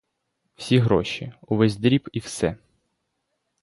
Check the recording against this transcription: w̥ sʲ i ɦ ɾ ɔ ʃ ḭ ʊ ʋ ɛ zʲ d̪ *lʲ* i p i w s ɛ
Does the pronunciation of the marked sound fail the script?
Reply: yes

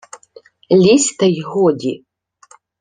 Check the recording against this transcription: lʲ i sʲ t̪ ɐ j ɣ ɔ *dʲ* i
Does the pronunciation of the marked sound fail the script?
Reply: no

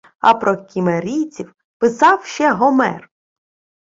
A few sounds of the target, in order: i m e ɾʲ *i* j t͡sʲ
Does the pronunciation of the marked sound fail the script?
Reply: no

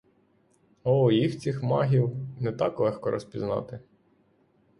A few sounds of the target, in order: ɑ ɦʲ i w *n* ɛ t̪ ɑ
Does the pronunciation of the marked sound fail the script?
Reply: no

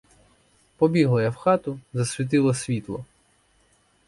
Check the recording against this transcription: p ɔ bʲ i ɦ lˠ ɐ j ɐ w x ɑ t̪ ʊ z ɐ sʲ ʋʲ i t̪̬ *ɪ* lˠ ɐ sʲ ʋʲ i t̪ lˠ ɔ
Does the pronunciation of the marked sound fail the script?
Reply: no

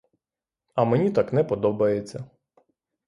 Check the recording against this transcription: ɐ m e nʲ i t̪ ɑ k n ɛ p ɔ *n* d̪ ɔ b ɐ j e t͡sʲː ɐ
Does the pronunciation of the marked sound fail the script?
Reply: yes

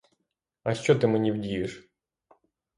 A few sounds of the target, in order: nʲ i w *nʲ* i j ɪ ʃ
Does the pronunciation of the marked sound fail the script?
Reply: yes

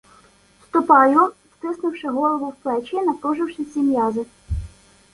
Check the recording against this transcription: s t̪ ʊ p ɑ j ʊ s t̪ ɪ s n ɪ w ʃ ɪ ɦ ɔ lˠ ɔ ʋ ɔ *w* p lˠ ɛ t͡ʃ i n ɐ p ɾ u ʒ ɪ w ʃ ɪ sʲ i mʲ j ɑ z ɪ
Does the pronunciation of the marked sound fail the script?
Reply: no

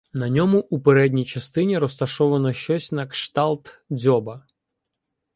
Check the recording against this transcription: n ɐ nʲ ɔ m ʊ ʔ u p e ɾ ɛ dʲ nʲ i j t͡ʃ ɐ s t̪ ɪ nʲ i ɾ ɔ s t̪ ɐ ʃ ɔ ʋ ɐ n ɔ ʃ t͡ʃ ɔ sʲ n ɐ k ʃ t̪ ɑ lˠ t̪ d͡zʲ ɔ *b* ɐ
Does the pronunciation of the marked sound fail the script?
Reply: no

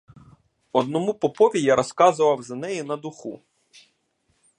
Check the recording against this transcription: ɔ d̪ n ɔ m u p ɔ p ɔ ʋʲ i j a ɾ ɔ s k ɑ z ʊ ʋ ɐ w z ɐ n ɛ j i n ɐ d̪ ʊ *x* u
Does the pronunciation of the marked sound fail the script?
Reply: no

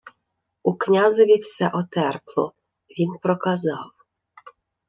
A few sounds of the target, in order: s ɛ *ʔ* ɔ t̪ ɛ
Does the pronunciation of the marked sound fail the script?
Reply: no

